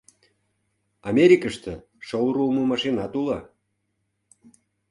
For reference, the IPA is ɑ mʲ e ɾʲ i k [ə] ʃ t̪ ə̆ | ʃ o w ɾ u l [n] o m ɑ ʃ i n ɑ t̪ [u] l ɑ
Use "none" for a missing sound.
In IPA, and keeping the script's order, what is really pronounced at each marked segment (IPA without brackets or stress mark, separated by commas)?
ə, m, u